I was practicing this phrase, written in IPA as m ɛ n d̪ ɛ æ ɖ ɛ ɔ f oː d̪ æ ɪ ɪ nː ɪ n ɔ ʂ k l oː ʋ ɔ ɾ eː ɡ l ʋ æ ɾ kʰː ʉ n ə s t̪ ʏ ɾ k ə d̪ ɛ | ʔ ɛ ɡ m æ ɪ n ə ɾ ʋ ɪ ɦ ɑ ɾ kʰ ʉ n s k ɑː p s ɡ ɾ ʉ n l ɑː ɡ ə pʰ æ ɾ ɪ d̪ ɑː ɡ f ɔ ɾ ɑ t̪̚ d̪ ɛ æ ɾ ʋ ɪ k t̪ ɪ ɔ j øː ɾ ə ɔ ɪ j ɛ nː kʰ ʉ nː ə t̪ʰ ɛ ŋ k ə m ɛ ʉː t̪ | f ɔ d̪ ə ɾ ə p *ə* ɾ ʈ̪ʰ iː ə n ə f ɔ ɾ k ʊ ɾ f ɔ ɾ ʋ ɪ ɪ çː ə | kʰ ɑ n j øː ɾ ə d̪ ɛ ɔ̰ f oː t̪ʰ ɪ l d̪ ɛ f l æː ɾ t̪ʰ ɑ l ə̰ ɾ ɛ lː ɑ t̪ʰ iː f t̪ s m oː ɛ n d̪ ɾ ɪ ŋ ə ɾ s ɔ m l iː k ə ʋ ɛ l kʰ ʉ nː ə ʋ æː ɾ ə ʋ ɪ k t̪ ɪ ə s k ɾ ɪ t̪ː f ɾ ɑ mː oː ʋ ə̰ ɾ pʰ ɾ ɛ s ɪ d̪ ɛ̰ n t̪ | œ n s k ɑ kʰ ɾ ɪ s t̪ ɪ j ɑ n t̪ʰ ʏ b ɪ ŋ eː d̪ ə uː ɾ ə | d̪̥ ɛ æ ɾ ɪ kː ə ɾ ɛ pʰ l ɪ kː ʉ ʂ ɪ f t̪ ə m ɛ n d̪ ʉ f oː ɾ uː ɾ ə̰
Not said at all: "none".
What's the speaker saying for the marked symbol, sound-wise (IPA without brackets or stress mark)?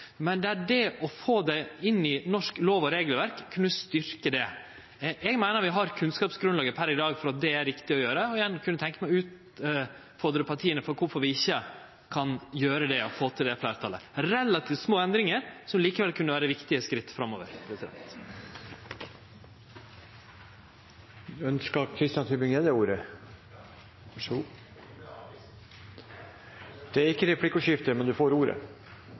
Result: ɑ